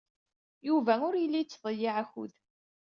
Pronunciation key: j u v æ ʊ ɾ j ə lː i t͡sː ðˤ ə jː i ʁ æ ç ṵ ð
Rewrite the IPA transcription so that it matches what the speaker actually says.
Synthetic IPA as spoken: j u v æ ʊ ɾ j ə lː i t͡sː ðˤ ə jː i ʕ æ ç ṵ ð